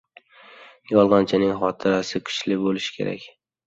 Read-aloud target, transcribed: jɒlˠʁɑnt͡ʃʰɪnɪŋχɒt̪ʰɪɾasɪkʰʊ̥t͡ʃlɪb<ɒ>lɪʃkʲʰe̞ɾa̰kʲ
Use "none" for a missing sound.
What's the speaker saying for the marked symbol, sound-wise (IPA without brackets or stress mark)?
o